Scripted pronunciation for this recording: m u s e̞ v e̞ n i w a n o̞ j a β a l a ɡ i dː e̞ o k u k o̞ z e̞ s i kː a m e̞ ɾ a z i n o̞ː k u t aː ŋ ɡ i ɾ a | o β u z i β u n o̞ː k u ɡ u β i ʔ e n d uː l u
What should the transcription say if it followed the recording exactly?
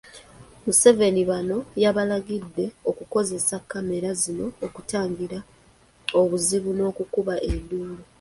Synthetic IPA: m u s e̞ v e̞ n i β a n o̞ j a β a l a ɡ i dː e̞ o k u k o̞ z e̞ s a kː a m e̞ ɾ a z i n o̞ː k u t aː ŋ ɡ i ɾ a | o β u z i β u n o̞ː k u k u β a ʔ e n d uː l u